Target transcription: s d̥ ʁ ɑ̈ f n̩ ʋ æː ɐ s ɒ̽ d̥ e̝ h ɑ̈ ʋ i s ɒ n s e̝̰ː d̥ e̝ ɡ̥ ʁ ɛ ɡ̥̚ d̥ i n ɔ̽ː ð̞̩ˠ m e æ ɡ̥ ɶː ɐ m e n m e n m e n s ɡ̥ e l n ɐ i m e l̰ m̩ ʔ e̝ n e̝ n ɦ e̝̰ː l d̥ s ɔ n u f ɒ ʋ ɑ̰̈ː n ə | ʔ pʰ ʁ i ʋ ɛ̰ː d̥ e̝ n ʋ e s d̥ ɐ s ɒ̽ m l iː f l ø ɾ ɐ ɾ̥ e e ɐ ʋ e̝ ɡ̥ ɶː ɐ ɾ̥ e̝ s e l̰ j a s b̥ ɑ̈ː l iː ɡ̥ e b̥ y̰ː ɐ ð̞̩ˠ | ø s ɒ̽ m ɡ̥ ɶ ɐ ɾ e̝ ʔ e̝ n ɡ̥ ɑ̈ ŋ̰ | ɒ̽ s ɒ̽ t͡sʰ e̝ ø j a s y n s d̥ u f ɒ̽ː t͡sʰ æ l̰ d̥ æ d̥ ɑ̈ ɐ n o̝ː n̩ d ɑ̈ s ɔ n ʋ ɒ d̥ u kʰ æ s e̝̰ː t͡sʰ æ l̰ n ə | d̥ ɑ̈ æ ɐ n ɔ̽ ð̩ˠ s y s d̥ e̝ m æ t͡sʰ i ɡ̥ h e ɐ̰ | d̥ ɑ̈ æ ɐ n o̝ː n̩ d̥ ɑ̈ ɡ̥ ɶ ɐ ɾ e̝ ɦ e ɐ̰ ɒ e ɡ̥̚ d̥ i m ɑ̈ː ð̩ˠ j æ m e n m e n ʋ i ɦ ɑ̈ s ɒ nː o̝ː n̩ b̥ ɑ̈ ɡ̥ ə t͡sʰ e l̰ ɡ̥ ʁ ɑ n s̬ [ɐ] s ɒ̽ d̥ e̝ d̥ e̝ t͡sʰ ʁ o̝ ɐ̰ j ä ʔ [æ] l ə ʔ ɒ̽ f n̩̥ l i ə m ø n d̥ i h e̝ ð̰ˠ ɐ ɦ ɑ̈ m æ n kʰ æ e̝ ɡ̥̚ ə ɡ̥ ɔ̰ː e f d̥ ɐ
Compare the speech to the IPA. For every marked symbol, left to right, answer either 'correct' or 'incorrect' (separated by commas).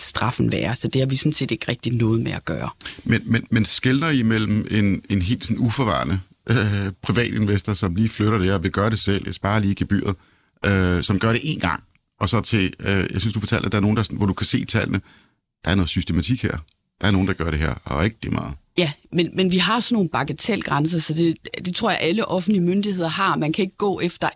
correct, correct